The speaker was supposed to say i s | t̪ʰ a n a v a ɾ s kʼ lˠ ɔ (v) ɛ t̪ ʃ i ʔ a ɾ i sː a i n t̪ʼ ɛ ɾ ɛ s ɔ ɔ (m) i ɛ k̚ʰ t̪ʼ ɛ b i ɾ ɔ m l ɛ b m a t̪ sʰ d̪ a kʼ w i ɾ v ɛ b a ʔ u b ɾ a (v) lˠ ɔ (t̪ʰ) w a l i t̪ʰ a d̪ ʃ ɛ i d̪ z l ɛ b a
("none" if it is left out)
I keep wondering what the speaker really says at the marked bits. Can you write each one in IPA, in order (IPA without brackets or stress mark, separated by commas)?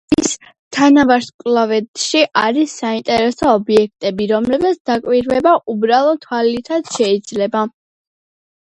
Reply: v, b, none, t̪ʰ